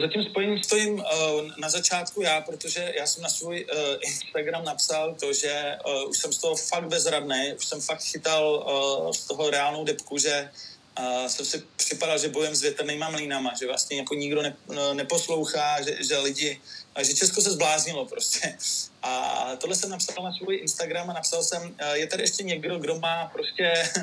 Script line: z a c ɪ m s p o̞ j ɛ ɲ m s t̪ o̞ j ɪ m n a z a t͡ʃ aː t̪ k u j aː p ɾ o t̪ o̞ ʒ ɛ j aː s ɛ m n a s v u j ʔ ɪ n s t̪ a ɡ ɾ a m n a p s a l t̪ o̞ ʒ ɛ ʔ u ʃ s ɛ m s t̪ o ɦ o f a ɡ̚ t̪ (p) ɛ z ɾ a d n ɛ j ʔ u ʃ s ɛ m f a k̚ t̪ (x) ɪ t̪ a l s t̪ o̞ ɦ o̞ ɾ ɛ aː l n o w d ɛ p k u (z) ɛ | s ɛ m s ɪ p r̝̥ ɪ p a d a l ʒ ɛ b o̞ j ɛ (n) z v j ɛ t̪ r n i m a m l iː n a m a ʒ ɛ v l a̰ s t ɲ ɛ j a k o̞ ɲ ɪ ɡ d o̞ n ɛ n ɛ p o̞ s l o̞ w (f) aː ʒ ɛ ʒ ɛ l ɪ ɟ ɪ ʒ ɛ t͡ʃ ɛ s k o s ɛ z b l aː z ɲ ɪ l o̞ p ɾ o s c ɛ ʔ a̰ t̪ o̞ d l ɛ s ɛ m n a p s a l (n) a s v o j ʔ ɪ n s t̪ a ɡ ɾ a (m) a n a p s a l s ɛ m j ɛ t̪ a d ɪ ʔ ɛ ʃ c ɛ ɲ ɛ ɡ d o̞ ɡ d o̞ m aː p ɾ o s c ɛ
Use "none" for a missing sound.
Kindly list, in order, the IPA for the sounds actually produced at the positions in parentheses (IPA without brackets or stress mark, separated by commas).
b, x, ʒ, m, x, n, m